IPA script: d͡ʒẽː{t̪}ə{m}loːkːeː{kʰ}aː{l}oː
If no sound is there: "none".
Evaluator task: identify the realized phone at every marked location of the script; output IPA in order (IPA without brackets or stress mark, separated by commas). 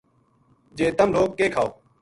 t̪, m, kʰ, none